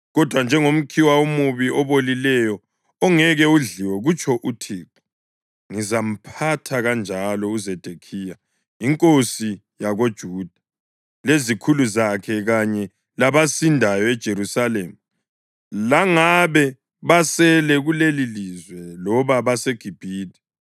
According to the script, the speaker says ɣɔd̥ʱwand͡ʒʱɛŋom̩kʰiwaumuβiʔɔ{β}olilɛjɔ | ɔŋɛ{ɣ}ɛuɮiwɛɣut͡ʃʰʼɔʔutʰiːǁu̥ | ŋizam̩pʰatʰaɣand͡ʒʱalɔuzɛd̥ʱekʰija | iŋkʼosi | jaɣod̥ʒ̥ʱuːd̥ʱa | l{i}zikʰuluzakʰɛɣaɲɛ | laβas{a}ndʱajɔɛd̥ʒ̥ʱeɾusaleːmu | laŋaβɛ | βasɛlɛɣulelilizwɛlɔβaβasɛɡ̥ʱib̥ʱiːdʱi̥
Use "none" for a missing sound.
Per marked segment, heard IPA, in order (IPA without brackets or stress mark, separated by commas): β, ɣ, e, i